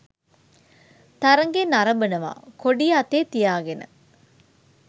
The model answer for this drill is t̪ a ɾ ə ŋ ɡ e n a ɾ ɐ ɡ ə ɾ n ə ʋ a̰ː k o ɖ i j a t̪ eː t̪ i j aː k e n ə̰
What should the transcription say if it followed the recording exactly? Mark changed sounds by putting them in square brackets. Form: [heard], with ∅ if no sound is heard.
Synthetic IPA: t̪ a ɾ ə ŋ ɡ e n a ɾ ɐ [b] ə [∅] n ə ʋ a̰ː k o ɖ i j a t̪ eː t̪ i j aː [ɡ] e n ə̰